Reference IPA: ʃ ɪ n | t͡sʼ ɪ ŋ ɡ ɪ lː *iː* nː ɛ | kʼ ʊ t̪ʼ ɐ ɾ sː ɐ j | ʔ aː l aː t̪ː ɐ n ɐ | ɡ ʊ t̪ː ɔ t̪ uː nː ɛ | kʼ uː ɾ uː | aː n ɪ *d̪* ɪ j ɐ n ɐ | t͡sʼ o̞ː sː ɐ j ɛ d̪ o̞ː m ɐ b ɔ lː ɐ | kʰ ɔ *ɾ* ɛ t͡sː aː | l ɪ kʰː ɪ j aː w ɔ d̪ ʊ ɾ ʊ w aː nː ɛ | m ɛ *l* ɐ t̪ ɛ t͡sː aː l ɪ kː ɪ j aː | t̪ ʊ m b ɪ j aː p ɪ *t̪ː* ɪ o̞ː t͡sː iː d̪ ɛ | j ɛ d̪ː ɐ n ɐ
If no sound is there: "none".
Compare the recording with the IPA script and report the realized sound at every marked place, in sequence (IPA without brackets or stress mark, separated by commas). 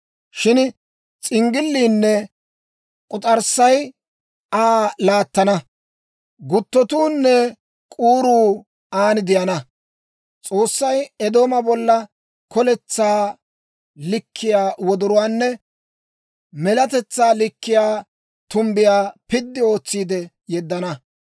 iː, d̪, l, l, d̪ː